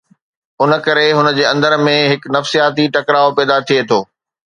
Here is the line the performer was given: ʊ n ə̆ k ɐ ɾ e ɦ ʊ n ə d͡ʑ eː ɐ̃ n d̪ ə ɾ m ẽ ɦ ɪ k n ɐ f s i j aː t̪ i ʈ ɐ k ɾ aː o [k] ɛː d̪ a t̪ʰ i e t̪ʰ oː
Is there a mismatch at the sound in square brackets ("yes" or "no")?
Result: yes